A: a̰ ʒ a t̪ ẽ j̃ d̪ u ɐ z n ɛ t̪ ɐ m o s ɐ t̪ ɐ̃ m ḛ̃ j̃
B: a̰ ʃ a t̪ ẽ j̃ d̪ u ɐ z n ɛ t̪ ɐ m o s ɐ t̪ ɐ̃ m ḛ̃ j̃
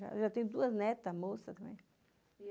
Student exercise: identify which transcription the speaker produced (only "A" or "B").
A